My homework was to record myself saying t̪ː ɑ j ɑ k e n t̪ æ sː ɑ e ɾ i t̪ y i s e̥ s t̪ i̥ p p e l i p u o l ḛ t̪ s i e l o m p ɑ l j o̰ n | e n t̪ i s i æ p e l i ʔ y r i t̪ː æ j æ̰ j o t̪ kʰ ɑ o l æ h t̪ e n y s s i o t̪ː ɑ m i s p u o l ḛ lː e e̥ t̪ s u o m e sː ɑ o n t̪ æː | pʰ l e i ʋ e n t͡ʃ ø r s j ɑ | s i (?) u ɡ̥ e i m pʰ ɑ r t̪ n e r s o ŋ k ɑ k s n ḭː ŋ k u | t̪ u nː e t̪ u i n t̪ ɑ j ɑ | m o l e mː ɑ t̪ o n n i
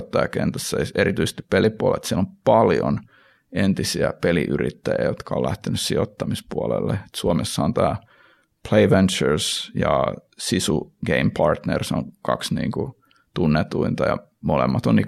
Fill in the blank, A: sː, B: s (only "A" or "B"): B